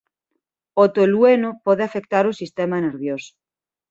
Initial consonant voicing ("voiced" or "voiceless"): voiceless